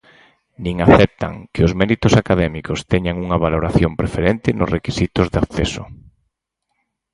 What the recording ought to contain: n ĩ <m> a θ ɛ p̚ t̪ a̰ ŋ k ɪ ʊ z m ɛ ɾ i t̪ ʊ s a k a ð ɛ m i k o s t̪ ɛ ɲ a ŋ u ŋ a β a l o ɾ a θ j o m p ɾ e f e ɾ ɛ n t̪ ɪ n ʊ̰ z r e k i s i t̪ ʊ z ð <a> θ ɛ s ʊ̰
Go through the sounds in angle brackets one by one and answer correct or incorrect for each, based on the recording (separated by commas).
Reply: incorrect, correct